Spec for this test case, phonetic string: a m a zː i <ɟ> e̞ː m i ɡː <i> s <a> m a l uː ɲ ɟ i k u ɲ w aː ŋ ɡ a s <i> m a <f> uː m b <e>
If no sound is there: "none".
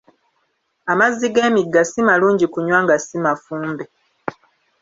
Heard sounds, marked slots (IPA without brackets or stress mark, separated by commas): ɡ, a, i, i, f, e